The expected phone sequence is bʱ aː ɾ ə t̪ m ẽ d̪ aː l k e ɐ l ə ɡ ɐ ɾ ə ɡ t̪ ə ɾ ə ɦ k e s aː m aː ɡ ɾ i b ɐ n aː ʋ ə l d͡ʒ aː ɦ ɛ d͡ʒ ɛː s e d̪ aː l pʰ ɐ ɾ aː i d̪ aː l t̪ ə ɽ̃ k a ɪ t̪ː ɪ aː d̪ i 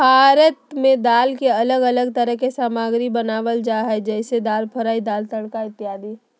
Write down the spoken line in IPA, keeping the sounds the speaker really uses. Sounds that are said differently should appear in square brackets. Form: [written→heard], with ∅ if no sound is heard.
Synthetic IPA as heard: bʱ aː ɾ ə t̪ m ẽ d̪ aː l k e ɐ l ə ɡ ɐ [ɾ→l] ə ɡ t̪ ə ɾ ə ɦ k e s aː m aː ɡ ɾ i b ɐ n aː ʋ ə l d͡ʒ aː ɦ ɛ d͡ʒ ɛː s e d̪ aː l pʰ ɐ ɾ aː i d̪ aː l t̪ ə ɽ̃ k a ɪ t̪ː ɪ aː d̪ i